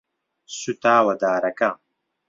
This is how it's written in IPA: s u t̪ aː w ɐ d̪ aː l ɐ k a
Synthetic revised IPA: s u t̪ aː w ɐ d̪ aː ɾ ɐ k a

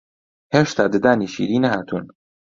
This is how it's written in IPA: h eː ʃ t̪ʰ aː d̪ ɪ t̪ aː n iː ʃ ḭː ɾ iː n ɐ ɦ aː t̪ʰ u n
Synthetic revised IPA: h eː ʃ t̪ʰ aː d̪ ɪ d̪ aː n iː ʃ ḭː ɾ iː n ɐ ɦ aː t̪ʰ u n

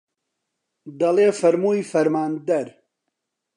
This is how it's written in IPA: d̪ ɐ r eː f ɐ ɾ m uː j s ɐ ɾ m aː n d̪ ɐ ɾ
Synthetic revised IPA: d̪ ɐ l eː f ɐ ɾ m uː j f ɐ ɾ m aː n d̪ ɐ ɾ

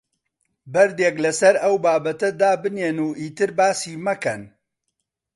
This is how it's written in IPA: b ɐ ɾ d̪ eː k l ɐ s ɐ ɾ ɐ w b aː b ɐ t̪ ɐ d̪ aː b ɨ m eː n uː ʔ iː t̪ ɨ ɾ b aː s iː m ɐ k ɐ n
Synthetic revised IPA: b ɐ ɾ d̪ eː k l ɐ s ɐ ɾ ɐ w b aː b ɐ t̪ ɐ d̪ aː b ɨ n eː n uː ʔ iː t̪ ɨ ɾ b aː s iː m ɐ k ɐ n

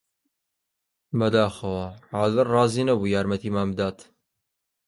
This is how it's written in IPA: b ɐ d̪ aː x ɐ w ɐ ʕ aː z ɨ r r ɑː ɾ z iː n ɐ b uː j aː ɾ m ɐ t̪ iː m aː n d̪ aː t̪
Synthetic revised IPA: b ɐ d̪ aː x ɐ w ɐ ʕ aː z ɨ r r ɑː z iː n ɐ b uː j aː ɾ m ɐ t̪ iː m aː m d̪ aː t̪

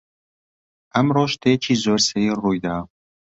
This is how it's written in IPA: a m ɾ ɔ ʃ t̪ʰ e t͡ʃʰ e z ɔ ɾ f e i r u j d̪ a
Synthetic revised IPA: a m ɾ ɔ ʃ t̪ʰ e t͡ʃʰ i z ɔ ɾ s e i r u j d̪ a

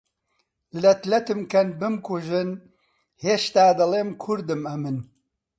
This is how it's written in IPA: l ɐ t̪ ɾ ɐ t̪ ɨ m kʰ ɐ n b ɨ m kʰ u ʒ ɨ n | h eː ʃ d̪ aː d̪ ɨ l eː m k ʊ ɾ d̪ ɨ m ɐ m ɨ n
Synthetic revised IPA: l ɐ t̪ l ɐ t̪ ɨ m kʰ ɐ n b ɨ m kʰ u ʒ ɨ n | h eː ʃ t̪ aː d̪ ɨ l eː m kʰ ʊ ɾ d̪ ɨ m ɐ m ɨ n

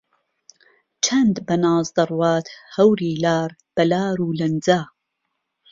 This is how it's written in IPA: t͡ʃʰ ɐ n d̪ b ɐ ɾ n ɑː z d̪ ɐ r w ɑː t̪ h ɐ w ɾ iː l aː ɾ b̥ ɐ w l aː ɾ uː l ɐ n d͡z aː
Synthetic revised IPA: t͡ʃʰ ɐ n d̪ b ɐ n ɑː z d̪ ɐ r w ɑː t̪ h ɐ w ɾ iː l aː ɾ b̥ ɐ l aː ɾ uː l ɐ n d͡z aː

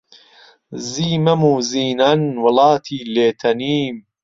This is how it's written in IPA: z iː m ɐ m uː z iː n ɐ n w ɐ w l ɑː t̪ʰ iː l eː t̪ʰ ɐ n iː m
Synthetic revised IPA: z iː m ɐ m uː z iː n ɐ n w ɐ l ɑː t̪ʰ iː l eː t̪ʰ ɐ n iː m

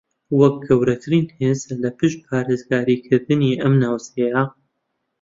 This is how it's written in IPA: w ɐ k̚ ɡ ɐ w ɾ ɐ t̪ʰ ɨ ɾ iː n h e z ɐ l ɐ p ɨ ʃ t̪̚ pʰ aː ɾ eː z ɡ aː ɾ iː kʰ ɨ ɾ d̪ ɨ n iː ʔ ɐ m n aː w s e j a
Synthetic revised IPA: w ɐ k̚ ɡ ɐ w ɾ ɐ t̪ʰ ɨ ɾ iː n h e z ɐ l ɐ p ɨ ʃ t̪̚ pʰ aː ɾ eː z ɡ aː ɾ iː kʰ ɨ ɾ d̪ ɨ n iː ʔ ɐ m n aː w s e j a

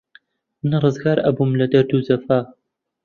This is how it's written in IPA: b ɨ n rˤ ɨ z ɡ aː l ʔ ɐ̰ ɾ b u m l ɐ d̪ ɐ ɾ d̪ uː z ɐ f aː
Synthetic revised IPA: m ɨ n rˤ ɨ z ɡ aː ɾ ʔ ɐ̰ b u m l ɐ d̪ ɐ ɾ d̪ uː z ɐ f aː

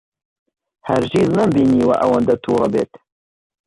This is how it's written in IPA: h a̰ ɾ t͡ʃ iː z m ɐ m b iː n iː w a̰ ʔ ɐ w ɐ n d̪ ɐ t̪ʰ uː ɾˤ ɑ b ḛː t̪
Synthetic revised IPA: h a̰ ɾ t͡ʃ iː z n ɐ m b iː n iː w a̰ ʔ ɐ w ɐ n d̪ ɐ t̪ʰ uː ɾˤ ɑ b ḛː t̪

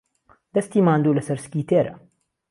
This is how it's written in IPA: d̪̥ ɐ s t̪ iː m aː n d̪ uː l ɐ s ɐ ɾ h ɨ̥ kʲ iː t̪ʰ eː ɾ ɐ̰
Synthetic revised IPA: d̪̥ ɐ s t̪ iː m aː n d̪ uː l ɐ s ɐ ɾ s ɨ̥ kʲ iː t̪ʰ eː ɾ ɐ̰

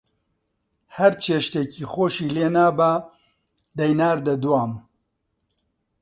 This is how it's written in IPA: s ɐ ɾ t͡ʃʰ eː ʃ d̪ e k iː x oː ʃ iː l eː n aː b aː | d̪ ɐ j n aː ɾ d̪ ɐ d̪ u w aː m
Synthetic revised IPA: h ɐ ɾ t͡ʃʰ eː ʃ t̪ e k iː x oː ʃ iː l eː n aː b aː | d̪ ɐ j n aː ɾ d̪ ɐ d̪ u w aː m

